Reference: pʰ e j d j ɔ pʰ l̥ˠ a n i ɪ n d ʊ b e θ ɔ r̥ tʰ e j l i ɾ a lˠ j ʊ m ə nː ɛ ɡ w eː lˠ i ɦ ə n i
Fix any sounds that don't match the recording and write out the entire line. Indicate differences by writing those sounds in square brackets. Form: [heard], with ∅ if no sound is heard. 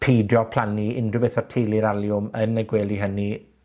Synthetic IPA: pʰ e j d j ɔ pʰ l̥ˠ a n i ɪ n d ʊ b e θ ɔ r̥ tʰ e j l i ɾ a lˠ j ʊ m ə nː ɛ ɡ w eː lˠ i ɦ ə n i